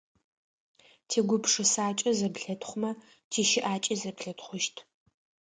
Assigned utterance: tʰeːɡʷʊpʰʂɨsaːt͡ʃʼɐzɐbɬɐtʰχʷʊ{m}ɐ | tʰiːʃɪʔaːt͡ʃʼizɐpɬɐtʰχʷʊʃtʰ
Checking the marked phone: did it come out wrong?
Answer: no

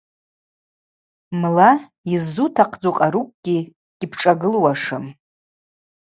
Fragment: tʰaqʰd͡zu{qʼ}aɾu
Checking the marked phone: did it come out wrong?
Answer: no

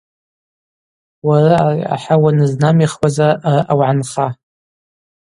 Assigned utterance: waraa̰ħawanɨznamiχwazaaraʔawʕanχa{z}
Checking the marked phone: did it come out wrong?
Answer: yes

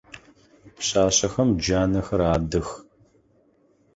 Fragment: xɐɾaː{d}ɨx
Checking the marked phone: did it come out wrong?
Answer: no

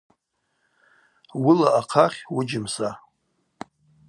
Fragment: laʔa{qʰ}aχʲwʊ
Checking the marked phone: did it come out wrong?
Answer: no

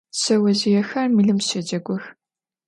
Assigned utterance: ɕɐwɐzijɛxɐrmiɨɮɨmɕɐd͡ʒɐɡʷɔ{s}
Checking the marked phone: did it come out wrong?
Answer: yes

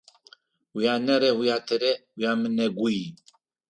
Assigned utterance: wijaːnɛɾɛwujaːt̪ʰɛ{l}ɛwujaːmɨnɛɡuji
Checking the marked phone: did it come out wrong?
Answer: yes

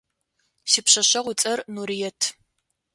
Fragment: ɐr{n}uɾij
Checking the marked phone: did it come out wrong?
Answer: no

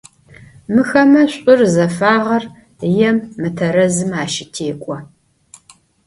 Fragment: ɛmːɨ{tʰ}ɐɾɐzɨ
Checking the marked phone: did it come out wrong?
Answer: no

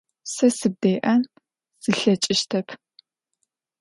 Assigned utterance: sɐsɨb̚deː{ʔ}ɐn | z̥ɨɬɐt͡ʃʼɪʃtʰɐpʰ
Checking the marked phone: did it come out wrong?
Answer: no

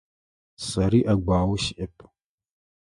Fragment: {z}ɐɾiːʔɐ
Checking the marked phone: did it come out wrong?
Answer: yes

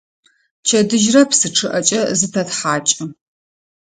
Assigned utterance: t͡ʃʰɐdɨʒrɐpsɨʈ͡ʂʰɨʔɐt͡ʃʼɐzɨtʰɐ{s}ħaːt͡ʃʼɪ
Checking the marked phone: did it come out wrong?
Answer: yes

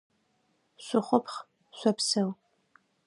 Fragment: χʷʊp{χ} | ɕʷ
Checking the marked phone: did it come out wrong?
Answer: no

